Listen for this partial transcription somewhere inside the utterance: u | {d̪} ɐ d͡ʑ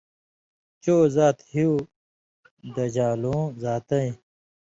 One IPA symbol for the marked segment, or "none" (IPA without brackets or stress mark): d̪